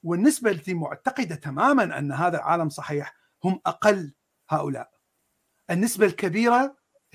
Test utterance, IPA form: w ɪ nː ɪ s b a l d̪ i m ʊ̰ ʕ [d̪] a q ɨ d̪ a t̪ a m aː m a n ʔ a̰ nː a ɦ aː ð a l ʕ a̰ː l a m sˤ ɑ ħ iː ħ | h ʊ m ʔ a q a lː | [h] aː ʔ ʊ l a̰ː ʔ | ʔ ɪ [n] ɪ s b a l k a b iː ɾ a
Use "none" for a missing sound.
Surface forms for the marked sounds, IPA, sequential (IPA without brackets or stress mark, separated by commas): t̪, h, nː